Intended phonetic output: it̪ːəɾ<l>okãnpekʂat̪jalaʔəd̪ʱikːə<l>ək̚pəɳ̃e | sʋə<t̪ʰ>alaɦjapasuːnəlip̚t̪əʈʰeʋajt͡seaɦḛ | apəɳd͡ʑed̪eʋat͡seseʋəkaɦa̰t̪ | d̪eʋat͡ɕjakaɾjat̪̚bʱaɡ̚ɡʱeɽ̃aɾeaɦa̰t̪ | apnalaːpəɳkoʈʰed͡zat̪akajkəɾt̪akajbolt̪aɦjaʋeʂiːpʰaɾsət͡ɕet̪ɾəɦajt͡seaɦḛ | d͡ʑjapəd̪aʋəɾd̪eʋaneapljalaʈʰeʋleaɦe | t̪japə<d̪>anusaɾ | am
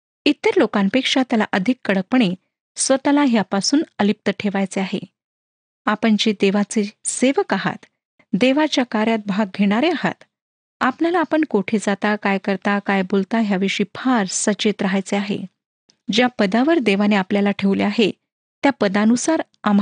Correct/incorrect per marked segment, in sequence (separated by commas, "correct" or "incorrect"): correct, incorrect, incorrect, correct